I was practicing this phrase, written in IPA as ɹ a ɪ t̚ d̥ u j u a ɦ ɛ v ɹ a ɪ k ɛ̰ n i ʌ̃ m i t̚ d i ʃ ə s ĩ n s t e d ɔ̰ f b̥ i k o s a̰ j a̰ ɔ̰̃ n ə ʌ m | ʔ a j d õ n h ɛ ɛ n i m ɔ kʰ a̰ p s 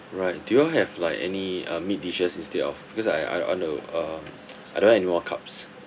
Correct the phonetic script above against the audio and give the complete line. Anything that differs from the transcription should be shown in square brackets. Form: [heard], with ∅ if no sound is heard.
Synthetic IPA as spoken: ɹ a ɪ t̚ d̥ u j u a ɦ ɛ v [l] a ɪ k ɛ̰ n i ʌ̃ m i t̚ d i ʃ ə s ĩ n s t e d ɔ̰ f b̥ i k [ɔ] s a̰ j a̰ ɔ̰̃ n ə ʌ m | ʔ a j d õ n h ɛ ɛ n i m ɔ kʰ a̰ p s

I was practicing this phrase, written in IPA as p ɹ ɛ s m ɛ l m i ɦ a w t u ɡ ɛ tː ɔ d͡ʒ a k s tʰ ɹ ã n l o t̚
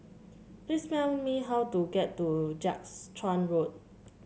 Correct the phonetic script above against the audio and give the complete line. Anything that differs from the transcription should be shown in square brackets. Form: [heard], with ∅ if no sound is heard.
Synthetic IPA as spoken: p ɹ [i] s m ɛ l m i ɦ a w t u ɡ ɛ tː [u] d͡ʒ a k s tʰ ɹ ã n [ɹ] o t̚

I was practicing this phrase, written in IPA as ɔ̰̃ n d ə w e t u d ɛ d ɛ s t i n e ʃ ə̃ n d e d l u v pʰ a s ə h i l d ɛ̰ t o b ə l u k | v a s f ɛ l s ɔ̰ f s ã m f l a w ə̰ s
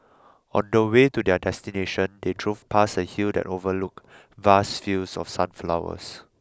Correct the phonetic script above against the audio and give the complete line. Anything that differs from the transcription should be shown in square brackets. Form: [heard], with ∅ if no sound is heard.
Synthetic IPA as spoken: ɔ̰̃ n d ə w e t u d ɛ d ɛ s t i n e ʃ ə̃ n d e d [ɹ] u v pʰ a s ə h i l d ɛ̰ t o [v] ə l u k | v a s f [i] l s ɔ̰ f s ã [n] f l a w ə̰ s

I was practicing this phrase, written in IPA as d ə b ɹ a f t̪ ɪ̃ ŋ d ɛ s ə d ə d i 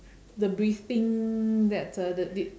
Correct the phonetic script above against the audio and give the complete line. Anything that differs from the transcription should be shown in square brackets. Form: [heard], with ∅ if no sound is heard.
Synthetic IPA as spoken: d ə b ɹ [i] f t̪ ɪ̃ ŋ d ɛ [t] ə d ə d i

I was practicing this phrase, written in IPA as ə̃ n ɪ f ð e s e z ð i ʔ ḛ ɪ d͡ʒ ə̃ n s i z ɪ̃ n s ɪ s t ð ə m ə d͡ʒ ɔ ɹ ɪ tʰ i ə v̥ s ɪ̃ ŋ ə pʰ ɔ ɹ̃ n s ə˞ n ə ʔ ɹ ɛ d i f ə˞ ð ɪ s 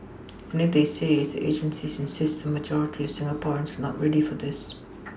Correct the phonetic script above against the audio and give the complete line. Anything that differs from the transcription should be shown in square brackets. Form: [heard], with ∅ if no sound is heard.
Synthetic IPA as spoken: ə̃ n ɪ f ð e s e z ð i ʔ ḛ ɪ d͡ʒ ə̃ n s i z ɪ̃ n s ɪ s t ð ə m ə d͡ʒ ɔ ɹ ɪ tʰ i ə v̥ s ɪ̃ ŋ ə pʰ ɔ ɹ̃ n s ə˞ n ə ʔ ɹ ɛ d i f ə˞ ð ɪ s

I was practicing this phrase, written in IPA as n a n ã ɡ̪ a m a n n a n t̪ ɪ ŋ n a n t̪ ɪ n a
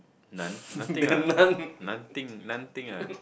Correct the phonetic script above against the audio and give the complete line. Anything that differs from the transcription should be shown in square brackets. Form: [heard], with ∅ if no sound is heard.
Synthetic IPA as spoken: n a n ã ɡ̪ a [n] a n n a n t̪ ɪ ŋ n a n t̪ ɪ [ŋ] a

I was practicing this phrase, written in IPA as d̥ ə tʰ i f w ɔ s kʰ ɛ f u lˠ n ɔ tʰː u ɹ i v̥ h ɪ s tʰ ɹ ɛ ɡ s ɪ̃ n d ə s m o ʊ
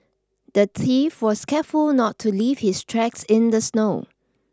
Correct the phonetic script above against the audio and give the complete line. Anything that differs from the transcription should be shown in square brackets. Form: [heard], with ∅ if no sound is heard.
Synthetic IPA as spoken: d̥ ə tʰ i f w ɔ s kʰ ɛ f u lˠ n ɔ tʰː u [l] i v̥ h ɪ s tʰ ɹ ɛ [k] s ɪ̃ n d ə s [n] o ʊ

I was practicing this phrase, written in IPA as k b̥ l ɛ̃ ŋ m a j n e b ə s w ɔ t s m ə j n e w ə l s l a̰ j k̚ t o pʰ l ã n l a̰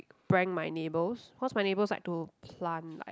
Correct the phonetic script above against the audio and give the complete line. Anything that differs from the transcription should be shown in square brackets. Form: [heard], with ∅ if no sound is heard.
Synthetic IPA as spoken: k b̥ [ɹ] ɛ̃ ŋ m a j n e b ə s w ɔ t s m [a] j n e [b] ə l s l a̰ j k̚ t [u] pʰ l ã n l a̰

